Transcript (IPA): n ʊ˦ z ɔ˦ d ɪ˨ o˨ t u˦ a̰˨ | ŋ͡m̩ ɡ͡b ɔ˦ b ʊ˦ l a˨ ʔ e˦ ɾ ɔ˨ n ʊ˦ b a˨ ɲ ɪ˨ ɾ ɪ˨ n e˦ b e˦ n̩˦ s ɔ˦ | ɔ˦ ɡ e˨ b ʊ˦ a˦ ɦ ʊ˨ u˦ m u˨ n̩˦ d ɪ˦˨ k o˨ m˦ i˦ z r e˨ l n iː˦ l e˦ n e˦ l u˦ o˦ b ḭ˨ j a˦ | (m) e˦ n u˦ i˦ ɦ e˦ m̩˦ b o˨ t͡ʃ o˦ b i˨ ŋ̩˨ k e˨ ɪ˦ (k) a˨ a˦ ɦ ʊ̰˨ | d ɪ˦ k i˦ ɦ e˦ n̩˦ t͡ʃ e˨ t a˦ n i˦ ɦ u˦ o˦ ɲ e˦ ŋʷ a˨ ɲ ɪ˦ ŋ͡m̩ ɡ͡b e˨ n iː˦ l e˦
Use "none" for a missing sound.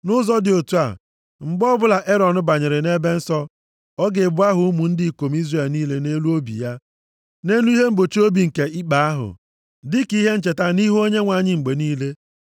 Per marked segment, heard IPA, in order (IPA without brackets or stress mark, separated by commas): n, k͡p